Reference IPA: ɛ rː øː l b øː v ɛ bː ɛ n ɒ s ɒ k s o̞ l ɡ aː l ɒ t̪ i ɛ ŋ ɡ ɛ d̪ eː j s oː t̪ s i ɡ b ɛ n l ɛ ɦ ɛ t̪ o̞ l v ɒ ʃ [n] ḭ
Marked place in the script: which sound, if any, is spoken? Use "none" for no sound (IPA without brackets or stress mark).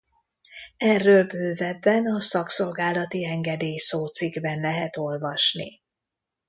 n